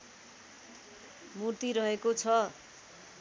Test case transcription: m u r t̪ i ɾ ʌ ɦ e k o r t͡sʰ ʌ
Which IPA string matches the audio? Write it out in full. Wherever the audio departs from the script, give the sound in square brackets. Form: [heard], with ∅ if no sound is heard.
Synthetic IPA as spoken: m u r t̪ i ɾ ʌ ɦ e k o [∅] t͡sʰ ʌ